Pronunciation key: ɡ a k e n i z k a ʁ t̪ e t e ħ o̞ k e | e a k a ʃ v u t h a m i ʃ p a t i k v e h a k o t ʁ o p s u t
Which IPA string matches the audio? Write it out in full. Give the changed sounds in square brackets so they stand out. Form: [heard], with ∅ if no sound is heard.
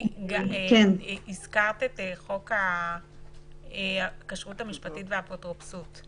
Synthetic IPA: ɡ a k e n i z k a ʁ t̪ e t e [χ] o̞ k [a] | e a k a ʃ [ʁ] u t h a m i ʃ p a t i [t] v e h a [p] o t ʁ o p s u t